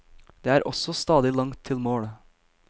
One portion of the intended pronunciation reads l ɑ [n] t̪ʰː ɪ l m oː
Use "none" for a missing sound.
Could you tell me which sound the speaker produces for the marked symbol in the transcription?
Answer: ŋ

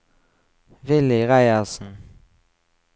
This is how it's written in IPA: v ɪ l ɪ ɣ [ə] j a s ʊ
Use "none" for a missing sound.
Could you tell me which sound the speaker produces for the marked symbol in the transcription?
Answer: a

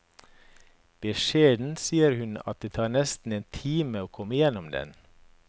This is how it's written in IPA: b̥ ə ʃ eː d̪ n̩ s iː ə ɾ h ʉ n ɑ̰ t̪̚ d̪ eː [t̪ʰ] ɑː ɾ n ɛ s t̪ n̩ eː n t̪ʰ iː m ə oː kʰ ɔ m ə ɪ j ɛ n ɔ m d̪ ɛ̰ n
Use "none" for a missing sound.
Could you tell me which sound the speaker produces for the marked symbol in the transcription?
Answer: t̪ʰ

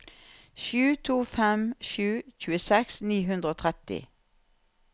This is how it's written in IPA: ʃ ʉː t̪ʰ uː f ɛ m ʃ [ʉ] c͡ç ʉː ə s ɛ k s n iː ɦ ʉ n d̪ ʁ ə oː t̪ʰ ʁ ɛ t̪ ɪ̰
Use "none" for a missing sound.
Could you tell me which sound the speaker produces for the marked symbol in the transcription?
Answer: ʉː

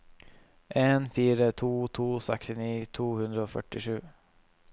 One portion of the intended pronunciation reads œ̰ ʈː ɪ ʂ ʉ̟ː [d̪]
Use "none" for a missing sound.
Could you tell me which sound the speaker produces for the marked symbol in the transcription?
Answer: none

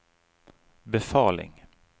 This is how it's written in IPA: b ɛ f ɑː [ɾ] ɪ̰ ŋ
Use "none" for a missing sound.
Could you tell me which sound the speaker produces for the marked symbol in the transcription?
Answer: l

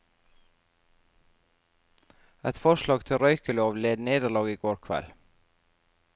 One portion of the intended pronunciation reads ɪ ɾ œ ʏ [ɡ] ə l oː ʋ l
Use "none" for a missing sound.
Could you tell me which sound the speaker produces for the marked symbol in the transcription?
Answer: k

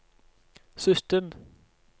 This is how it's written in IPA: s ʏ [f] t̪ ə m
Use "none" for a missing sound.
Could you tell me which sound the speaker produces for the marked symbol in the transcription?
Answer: s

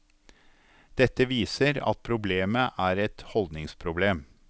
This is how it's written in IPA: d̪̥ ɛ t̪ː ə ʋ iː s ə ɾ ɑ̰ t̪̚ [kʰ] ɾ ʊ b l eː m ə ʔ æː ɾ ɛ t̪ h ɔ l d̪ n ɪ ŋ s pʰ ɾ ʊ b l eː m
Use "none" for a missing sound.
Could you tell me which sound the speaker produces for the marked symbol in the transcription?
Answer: pʰ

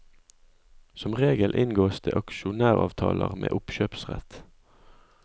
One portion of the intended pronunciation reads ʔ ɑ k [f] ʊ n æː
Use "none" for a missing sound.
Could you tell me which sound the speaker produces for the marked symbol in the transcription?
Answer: ʃ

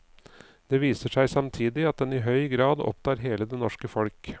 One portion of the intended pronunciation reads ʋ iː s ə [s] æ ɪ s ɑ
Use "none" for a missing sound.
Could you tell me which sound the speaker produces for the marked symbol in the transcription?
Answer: ʂ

